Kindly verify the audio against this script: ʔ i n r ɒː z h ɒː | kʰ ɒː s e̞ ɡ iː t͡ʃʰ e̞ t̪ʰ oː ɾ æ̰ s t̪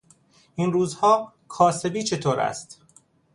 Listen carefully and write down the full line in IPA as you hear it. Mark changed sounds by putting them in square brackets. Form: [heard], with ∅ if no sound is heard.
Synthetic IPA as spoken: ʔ i n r [uː] z h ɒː | kʰ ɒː s e̞ [b] iː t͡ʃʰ e̞ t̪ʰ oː ɾ æ̰ s t̪